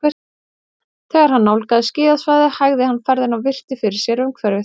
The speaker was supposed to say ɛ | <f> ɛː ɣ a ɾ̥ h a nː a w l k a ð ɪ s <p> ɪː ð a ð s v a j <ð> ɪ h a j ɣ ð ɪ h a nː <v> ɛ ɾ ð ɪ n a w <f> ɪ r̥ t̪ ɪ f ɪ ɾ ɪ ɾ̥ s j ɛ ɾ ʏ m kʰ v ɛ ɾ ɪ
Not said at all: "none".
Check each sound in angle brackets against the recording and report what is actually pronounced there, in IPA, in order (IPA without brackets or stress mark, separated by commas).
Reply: θ, c, ð, f, v